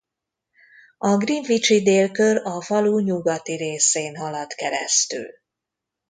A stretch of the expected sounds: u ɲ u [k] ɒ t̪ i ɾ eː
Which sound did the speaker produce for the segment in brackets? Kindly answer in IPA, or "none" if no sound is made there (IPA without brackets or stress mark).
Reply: ɡ